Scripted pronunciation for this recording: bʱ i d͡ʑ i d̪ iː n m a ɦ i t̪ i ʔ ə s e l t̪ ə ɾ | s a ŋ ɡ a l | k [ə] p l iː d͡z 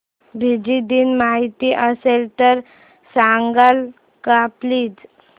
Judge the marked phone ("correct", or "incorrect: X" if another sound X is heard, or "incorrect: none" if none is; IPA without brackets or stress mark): incorrect: a